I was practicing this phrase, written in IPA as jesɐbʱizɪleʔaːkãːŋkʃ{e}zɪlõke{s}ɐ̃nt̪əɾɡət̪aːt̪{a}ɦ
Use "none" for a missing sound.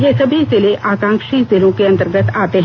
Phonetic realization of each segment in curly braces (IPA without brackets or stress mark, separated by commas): i, none, e